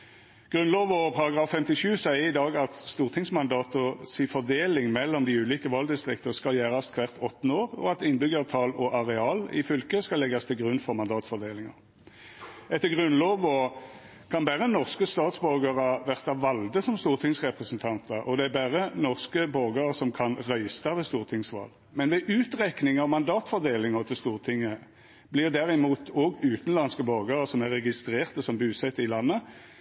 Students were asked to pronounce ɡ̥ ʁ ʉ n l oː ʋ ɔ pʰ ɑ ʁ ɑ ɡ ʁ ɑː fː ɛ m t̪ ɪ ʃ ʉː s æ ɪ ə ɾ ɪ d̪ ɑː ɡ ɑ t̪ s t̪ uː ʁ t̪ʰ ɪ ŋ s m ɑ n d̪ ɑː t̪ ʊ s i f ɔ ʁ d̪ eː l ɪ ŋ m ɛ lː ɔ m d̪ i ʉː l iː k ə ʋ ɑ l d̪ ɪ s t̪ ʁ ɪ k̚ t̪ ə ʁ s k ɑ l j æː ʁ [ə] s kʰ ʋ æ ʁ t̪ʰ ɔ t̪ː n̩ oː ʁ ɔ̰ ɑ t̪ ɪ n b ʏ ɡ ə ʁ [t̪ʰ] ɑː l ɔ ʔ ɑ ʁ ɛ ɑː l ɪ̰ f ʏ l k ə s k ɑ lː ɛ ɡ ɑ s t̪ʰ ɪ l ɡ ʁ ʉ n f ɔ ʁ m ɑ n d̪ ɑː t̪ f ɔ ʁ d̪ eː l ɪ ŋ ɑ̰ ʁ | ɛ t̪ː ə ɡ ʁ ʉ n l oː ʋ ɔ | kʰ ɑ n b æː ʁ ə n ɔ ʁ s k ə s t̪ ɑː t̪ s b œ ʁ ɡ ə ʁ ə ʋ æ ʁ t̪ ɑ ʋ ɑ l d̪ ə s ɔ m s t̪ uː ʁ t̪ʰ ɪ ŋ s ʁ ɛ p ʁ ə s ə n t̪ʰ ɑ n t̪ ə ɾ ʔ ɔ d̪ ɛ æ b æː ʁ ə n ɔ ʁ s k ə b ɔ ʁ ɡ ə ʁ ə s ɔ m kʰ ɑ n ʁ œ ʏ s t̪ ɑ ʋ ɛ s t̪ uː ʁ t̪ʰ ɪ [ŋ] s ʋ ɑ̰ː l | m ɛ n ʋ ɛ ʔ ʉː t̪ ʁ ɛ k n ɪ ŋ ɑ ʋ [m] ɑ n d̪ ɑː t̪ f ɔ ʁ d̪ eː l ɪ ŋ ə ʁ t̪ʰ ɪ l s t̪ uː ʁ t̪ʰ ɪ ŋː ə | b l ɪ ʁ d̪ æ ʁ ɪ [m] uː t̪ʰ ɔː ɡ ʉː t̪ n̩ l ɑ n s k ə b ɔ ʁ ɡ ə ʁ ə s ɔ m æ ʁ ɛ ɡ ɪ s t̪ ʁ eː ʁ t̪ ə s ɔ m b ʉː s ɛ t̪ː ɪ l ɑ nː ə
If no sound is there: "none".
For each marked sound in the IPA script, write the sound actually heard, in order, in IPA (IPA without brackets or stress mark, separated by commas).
ɑ, t̪ʰ, ŋ, m, m